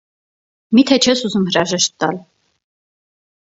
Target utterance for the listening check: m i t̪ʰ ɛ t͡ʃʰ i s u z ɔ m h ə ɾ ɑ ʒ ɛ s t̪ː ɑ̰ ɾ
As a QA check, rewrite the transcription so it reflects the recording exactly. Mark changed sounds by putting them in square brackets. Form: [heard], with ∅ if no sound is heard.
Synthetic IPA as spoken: m i t̪ʰ ɛ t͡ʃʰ [ɛ] s u z [u] m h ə ɾ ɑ ʒ ɛ [ʃ] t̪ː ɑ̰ [l]